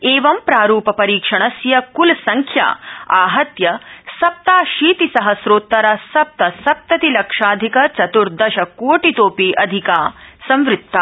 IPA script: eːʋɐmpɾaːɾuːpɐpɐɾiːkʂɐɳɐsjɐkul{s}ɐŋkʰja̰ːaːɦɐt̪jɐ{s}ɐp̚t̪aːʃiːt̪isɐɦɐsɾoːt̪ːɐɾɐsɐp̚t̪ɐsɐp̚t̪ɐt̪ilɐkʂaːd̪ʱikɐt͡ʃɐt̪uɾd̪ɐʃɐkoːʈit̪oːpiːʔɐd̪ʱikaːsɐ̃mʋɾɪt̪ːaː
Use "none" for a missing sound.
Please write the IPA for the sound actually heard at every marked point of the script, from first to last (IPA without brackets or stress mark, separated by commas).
s, s